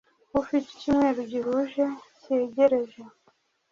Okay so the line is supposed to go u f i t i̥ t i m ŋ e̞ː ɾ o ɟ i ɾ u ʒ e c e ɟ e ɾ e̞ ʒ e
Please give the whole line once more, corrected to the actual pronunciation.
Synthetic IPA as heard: u f i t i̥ c i m ŋ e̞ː ɾ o ɟ i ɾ u ʒ e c e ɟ e ɾ e̞ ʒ e